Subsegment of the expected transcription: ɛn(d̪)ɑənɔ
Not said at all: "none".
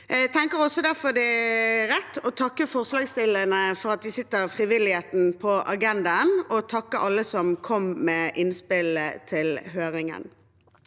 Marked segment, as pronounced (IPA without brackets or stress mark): d̪